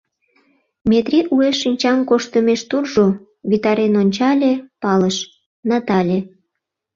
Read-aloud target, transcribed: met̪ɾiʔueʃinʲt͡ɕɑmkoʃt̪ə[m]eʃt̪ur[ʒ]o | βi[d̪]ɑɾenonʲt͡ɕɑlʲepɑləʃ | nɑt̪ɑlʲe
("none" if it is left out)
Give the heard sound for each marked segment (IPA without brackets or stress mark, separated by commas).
m, ʒ, t̪